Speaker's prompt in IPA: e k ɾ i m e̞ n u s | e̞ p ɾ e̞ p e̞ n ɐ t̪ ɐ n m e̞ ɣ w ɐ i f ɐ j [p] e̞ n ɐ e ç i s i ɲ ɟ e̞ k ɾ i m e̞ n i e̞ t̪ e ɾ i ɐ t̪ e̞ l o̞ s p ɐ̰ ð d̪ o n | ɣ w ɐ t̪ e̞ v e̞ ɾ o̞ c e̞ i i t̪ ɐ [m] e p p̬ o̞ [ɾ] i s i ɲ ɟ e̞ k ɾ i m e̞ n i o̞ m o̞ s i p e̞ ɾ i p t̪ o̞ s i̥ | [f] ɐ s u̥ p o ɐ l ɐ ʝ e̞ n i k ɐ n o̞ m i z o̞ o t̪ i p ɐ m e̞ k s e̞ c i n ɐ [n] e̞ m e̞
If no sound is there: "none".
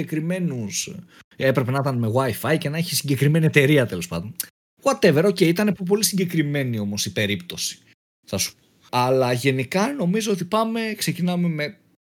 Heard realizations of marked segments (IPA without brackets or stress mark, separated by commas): c, n, l, θ, m